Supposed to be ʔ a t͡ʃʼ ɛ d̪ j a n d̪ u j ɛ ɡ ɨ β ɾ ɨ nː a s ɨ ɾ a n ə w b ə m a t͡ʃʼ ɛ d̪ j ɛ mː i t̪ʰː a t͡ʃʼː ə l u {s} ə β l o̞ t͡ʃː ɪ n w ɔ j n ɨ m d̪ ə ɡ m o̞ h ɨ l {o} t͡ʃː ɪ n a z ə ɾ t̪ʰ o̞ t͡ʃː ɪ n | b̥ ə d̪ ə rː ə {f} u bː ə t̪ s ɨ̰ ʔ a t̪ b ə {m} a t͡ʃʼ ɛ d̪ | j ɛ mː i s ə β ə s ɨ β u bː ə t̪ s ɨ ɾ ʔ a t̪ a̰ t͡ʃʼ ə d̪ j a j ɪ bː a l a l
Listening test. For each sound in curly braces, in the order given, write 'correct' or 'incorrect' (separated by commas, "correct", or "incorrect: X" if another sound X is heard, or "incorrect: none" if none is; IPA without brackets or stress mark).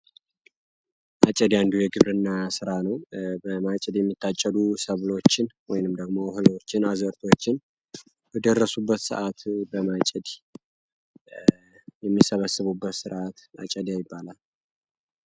correct, correct, incorrect: s, correct